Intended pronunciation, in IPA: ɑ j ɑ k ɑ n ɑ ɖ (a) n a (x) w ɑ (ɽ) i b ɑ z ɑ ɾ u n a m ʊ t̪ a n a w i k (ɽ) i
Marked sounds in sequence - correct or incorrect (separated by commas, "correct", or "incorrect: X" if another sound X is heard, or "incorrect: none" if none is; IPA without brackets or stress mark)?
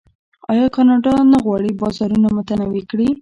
incorrect: ɑ, incorrect: ɣ, correct, correct